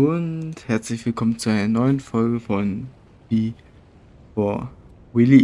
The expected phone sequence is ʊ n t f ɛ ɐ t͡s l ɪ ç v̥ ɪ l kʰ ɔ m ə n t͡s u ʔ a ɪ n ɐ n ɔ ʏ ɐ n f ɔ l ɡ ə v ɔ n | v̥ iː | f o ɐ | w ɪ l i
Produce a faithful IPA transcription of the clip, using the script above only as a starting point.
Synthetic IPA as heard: ʊ n t h ɛ ɐ t͡s l ɪ ç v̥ ɪ l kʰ ɔ m ə n t͡s u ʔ a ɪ n ɐ n ɔ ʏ ə n f ɔ l ɡ ə f ɔ n | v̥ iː | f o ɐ | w ɪ l i